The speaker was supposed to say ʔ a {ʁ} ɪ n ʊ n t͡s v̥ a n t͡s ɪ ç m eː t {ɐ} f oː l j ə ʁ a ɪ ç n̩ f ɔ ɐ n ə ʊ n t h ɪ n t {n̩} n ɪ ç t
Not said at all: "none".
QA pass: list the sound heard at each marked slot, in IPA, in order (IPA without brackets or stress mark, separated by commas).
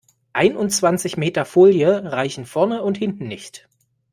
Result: none, ɐ, n̩